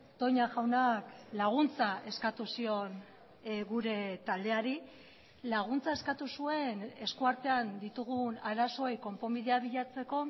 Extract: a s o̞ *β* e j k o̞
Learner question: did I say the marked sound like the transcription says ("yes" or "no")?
no